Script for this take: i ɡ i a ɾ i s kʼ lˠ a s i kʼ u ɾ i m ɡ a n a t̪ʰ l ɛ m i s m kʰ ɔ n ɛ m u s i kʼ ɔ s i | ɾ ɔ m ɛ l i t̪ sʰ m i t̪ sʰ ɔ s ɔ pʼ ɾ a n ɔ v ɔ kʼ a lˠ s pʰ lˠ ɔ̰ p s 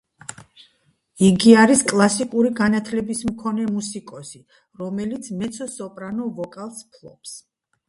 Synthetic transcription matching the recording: i ɡ i a ɾ i s kʼ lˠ a s i kʼ u ɾ i ɡ a n a t̪ʰ l ɛ b i s m kʰ ɔ n ɛ m u s i kʼ ɔ s i | ɾ ɔ m ɛ l i t̪ sʰ m ɛ t̪ sʰ ɔ s ɔ pʼ ɾ a n ɔ v ɔ kʼ a lˠ s pʰ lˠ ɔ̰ p s